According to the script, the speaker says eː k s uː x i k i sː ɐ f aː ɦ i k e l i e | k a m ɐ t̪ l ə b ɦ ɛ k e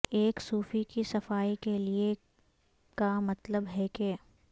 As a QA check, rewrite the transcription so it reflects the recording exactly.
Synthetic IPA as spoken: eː k s uː f i k i s ɐ f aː i k e l i e | k a m ɐ t̪ l ə b ɦ ɛ k e